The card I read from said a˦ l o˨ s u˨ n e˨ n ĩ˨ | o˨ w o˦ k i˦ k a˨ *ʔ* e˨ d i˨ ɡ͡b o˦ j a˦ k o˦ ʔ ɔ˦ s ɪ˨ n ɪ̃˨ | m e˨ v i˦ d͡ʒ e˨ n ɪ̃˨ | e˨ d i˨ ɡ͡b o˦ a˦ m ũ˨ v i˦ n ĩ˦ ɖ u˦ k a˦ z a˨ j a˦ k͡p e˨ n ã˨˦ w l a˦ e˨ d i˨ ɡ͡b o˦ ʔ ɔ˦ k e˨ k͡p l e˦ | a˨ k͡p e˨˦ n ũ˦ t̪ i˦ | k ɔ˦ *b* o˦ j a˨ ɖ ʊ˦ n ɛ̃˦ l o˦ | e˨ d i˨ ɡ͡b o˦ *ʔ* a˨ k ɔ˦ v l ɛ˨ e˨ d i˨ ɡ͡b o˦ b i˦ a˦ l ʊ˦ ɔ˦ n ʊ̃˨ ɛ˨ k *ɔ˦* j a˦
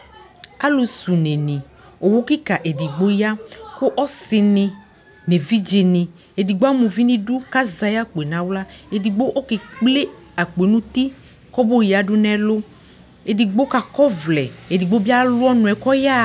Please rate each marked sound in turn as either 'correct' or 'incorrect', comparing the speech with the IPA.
correct, correct, incorrect: k, correct

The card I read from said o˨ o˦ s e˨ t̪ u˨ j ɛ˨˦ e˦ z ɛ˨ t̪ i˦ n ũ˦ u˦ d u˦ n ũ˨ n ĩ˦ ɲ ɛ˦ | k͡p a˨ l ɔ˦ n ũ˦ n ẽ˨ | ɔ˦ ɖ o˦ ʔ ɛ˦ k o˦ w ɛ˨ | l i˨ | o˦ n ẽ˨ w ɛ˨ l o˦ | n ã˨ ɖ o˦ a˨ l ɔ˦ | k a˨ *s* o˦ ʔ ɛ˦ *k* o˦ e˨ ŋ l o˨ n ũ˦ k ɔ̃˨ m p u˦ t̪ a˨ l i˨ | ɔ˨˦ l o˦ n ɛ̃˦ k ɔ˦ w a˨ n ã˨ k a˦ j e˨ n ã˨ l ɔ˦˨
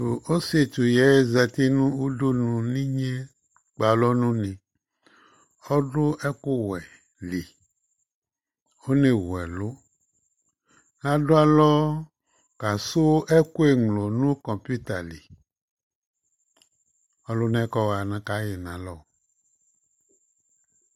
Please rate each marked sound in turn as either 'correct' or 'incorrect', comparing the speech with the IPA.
correct, correct

